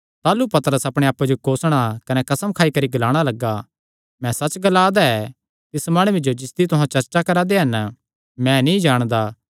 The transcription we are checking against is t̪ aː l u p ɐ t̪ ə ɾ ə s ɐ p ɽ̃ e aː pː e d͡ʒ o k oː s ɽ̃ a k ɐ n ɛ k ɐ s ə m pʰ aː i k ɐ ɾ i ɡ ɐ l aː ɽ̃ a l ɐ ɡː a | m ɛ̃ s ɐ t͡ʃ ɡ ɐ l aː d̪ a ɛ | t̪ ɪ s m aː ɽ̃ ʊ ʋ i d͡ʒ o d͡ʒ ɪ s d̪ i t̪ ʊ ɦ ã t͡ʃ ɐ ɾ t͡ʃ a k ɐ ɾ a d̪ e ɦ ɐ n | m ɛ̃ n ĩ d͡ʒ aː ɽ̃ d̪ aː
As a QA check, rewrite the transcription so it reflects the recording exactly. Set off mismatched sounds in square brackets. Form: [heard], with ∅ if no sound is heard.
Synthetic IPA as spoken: t̪ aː l u p ɐ t̪ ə ɾ ə s ɐ p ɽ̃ e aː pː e d͡ʒ o k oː s ɽ̃ a k ɐ n ɛ k ɐ s ə m [kʰ] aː i k ɐ ɾ i ɡ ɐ l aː ɽ̃ a l ɐ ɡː a | m ɛ̃ s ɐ t͡ʃ ɡ ɐ l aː d̪ a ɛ | t̪ ɪ s m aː ɽ̃ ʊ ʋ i d͡ʒ o d͡ʒ ɪ s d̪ i t̪ ʊ ɦ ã t͡ʃ ɐ ɾ t͡ʃ a k ɐ ɾ a d̪ e ɦ ɐ n | m ɛ̃ n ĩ d͡ʒ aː ɽ̃ d̪ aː